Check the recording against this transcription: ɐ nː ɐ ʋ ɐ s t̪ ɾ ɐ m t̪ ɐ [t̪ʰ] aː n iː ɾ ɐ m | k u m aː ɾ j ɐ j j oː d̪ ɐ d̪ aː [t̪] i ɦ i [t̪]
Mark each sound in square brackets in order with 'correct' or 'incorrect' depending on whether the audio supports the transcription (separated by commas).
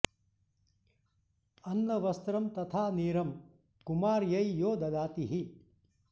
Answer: correct, correct, incorrect